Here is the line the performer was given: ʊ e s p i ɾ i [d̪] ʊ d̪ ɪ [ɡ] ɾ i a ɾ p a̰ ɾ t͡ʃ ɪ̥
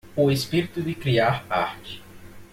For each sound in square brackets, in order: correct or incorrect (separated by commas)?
incorrect, incorrect